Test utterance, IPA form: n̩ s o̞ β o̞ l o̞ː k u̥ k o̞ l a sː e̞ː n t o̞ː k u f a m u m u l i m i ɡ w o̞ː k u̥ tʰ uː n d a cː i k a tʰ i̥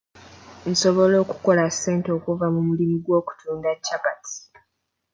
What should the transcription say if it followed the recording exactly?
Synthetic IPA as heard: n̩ s o̞ β o̞ l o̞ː k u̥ k o̞ l a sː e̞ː n t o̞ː k u v a m u m u l i m i ɡ w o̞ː k u̥ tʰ uː n d a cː a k a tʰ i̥